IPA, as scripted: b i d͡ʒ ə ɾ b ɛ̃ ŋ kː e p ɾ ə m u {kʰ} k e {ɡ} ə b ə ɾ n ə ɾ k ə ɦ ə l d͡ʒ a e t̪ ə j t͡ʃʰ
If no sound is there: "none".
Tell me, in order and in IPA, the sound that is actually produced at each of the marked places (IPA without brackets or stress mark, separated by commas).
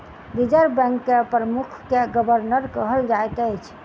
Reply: kʰ, ɡ